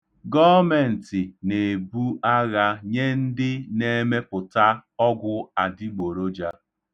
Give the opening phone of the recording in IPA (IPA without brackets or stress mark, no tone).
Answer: ɡ